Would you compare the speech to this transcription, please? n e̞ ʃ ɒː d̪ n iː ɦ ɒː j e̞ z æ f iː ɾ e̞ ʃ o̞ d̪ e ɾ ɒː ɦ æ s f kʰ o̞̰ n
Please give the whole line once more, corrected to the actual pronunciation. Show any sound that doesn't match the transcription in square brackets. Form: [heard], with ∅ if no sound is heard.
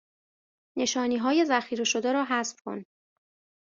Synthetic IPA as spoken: n e̞ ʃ ɒː [∅] n iː ɦ ɒː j e̞ z æ [x] iː ɾ e̞ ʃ o̞ d̪ e ɾ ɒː ɦ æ s f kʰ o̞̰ n